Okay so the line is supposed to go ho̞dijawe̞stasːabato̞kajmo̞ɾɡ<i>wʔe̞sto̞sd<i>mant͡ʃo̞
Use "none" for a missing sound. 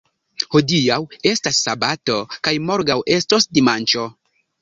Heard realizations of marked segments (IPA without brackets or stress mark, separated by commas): a, i